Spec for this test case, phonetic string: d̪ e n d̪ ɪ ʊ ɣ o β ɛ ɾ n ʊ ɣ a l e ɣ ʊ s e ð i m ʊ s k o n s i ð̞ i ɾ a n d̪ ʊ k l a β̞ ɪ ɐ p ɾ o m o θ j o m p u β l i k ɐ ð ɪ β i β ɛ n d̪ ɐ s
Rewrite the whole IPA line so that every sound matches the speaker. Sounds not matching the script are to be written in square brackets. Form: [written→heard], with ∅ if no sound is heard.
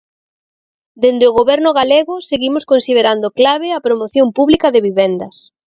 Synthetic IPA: d̪ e n d̪ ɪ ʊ ɣ o β ɛ ɾ n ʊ ɣ a l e ɣ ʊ s e [ð→ɣ] i m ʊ s k o n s i ð̞ [i→e] ɾ a n d̪ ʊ k l a β̞ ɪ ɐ p ɾ o m o θ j o m p u β l i k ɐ ð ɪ β i β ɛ n d̪ ɐ s